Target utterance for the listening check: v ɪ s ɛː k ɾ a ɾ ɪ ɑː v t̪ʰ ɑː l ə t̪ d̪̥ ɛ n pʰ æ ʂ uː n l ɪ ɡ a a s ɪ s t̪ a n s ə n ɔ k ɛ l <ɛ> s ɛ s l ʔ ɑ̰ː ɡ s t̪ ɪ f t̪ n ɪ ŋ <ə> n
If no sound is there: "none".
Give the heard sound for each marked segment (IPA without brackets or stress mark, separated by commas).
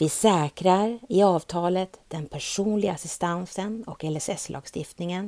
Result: ɛ, ə